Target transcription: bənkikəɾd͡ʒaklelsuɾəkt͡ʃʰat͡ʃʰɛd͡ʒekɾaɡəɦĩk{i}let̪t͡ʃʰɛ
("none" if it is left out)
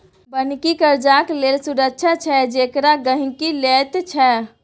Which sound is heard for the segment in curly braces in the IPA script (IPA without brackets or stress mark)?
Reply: i